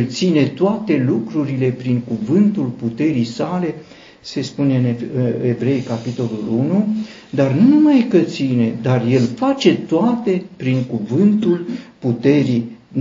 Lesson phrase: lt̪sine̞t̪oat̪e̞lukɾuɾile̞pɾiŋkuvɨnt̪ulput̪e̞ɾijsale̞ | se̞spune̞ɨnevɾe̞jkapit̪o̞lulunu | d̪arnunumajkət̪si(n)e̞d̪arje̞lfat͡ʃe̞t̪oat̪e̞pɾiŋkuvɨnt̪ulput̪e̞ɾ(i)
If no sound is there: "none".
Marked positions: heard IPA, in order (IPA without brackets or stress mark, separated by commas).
n, i